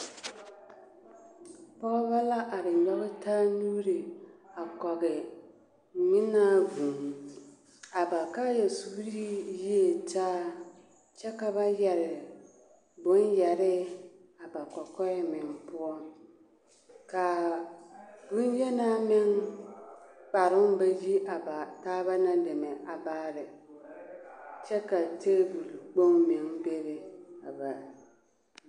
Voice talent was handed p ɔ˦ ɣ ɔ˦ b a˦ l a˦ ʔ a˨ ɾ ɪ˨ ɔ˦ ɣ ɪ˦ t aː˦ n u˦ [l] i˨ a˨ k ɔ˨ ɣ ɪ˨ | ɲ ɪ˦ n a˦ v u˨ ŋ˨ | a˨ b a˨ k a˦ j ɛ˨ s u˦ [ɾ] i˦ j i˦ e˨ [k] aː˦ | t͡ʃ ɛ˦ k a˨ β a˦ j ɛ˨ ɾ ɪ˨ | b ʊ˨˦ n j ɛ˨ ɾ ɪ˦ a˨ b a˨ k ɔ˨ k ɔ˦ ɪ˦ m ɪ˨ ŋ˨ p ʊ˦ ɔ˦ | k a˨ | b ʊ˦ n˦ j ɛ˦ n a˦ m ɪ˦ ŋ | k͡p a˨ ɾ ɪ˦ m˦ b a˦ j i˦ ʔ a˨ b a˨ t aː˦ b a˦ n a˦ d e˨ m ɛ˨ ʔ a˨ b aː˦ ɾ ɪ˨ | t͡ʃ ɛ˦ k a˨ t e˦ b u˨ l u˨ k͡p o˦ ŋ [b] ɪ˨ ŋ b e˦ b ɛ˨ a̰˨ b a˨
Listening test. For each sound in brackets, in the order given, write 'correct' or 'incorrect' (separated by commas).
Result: incorrect, correct, incorrect, incorrect